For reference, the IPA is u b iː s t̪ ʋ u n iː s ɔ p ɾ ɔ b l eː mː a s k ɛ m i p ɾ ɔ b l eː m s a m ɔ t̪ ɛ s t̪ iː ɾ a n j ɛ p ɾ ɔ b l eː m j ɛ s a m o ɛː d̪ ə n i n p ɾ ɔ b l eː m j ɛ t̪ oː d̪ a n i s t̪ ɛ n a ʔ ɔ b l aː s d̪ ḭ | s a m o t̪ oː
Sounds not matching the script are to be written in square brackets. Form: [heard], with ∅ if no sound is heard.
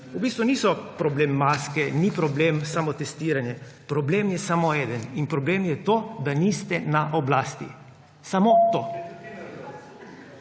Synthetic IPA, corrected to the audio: u b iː s t̪ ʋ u n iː s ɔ p ɾ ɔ b l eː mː a s k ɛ [n] i p ɾ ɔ b l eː m s a m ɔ t̪ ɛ s t̪ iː ɾ a n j ɛ p ɾ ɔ b l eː m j ɛ s a m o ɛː d̪ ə n i n p ɾ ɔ b l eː m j ɛ t̪ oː d̪ a n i s t̪ ɛ n a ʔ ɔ b l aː s [t̪] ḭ | s a m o t̪ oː

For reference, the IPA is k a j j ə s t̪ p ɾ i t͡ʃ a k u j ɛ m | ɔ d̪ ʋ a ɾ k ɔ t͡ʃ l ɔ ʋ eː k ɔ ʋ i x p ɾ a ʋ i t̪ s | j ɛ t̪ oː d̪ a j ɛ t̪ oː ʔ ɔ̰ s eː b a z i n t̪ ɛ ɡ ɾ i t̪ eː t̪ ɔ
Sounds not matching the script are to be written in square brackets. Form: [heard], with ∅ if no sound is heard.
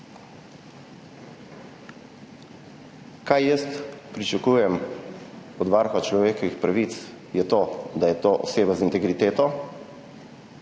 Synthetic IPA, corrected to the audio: k a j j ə s t̪ p ɾ i t͡ʃ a k u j ɛ m | ɔ d̪ ʋ a ɾ [x] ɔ t͡ʃ l ɔ ʋ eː k ɔ ʋ i x p ɾ a ʋ i t̪ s | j ɛ t̪ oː d̪ a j ɛ t̪ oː ʔ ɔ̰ s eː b a z i n t̪ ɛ ɡ ɾ i t̪ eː t̪ ɔ

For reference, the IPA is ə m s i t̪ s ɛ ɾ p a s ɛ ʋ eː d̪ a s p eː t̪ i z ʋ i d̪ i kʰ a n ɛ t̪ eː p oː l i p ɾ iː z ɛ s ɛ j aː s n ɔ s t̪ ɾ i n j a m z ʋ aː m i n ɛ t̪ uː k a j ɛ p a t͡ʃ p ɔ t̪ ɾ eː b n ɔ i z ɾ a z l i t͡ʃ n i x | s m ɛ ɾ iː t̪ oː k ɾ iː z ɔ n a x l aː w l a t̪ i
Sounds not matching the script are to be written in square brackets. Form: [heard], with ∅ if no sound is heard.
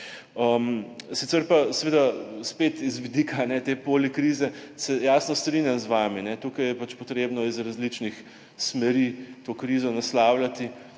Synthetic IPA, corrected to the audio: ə m s i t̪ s ɛ ɾ p a s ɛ ʋ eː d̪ a s p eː t̪ i z ʋ i d̪ i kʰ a n ɛ t̪ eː p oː l i [k] ɾ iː z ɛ s ɛ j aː s n ɔ s t̪ ɾ i n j a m z ʋ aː m i n ɛ t̪ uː k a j ɛ p a t͡ʃ p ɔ t̪ ɾ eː b n ɔ i z ɾ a z l i t͡ʃ n i x | s m ɛ ɾ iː t̪ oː k ɾ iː z ɔ n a [s] l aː w l a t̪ i

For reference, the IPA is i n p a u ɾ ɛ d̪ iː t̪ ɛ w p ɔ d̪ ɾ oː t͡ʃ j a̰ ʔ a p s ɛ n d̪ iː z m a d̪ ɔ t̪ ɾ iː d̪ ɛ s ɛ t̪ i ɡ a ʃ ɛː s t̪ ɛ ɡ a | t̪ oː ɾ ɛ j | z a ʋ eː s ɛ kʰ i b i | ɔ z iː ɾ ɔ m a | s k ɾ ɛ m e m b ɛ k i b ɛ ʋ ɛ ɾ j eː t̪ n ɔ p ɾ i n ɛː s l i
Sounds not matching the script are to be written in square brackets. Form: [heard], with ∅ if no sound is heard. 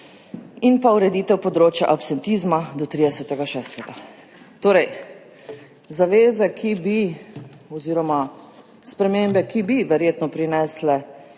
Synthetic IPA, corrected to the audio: i n p a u ɾ ɛ d̪ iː t̪ ɛ w p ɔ d̪ ɾ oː t͡ʃ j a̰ ʔ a p s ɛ n [t̪] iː z m a d̪ ɔ t̪ ɾ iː d̪ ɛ s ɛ t̪ [ɛ] ɡ a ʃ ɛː s t̪ ɛ ɡ a | t̪ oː ɾ ɛ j | z a ʋ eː [z] ɛ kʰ i b i | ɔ z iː ɾ ɔ m a | s [p] ɾ ɛ m e m b ɛ k i b [i] ʋ ɛ ɾ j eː t̪ n ɔ p ɾ i n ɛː s l [ɛ]

